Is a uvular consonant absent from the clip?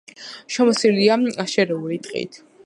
no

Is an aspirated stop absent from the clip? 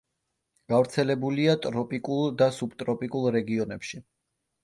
yes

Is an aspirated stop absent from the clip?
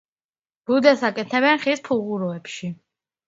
no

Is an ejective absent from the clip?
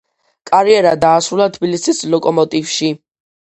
no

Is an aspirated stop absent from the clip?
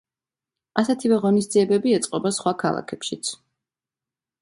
no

